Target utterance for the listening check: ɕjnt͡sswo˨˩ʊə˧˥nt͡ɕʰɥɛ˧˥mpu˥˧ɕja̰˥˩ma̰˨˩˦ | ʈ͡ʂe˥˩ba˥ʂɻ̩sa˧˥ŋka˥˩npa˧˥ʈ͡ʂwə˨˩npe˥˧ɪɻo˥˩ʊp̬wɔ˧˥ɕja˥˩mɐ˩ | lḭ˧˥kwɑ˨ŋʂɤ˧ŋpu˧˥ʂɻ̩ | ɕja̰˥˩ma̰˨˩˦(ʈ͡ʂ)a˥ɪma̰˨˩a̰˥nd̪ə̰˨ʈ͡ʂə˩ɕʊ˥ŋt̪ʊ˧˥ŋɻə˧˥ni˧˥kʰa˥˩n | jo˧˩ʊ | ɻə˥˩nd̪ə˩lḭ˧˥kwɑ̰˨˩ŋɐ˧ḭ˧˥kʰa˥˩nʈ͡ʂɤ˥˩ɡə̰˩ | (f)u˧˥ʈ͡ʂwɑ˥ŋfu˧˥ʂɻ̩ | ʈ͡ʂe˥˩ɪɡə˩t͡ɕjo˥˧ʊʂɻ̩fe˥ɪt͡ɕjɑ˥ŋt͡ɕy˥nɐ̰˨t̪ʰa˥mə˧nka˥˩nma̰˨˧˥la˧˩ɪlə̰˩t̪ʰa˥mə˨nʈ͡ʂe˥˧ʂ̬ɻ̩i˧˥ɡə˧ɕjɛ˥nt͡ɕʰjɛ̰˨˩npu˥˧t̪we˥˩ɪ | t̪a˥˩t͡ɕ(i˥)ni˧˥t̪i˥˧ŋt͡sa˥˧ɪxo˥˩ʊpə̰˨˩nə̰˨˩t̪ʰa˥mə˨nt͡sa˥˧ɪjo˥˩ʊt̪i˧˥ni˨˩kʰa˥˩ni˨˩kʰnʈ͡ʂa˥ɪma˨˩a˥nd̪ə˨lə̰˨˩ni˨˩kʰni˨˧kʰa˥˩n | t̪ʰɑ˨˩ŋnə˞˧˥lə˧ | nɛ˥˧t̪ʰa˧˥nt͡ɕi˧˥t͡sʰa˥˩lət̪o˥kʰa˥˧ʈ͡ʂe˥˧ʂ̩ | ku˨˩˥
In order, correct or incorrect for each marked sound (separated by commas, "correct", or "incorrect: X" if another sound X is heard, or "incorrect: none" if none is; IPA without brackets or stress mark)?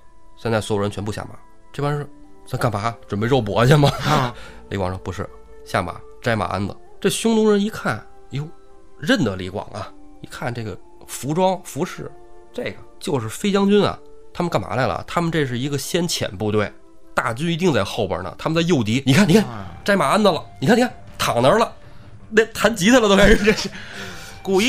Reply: correct, correct, incorrect: y˥